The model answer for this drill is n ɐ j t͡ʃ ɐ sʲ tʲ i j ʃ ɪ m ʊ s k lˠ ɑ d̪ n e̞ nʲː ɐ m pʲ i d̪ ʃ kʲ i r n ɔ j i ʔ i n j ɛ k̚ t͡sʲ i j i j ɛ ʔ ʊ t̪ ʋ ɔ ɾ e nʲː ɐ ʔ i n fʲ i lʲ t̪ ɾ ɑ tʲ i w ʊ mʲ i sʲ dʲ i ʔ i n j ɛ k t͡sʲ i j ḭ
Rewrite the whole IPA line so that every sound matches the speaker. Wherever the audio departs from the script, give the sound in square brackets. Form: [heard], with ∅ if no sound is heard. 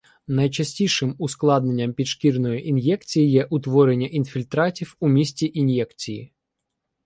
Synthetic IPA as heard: n ɐ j t͡ʃ ɐ sʲ tʲ i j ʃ ɪ m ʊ s k lˠ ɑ d̪ n e̞ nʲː ɐ m pʲ i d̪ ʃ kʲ i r n ɔ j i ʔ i n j ɛ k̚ t͡sʲ i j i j ɛ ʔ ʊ t̪ ʋ ɔ ɾ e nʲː ɐ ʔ i n fʲ i lʲ t̪ ɾ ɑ tʲ i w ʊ mʲ i sʲ [tʲ] i ʔ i n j ɛ k t͡sʲ i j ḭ